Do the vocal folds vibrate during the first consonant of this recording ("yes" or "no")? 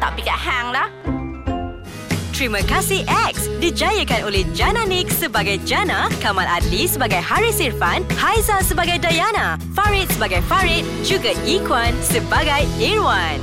no